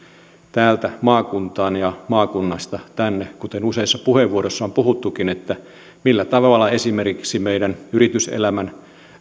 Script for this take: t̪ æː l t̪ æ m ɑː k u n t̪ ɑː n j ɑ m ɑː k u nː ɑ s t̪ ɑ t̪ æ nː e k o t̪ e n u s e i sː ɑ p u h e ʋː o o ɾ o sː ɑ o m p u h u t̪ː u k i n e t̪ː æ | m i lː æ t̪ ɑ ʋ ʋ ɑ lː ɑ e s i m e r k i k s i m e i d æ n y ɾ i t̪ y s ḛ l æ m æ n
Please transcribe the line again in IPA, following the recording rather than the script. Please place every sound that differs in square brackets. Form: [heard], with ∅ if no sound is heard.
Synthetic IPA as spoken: t̪ æː l t̪ æ m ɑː k u n t̪ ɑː n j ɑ m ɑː k u nː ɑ s t̪ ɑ t̪ æ nː e k [u] t̪ e n u s e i sː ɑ p u h e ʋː [u] o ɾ o sː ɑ o m p u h u t̪ː u k i n e t̪ː æ | m i lː æ t̪ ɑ ʋ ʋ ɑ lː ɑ e s i m e r k i k s i m e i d æ n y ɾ i t̪ y s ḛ l æ m æ n